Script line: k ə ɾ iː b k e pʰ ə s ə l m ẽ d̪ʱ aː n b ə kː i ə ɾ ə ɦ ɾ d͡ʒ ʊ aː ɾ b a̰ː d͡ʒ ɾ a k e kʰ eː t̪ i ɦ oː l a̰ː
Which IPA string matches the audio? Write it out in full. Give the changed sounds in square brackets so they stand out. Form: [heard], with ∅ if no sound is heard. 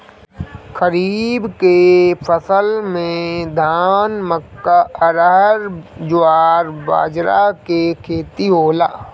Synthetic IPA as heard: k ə ɾ iː b k e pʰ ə s ə l m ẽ d̪ʱ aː n [m] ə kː [a] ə ɾ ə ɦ ɾ d͡ʒ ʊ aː ɾ b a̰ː d͡ʒ ɾ a k e kʰ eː t̪ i ɦ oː l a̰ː